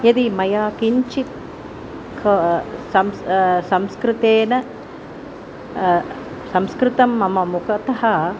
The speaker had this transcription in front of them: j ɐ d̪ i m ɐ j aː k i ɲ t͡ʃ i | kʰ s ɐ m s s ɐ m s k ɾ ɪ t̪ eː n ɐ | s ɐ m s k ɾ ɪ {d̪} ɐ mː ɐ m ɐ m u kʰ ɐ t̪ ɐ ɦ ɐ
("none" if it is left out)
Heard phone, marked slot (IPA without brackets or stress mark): t̪